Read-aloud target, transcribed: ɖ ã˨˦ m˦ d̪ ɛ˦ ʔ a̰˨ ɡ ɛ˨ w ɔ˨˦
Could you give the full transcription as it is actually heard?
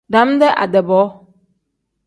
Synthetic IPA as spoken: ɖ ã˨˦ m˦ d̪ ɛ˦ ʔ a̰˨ d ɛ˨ b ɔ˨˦